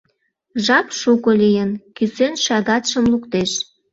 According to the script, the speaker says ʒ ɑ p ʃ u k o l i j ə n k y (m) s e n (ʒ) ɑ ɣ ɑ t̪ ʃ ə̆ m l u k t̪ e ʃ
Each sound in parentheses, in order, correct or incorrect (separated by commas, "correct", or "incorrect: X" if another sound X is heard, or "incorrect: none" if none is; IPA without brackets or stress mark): incorrect: none, incorrect: ʃ